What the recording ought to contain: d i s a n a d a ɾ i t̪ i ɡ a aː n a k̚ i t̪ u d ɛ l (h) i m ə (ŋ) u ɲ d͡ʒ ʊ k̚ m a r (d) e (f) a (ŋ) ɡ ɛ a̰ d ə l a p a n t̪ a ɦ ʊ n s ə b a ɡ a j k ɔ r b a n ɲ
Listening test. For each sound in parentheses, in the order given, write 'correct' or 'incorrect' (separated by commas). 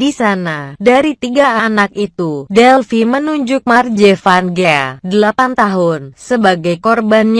incorrect, incorrect, incorrect, correct, incorrect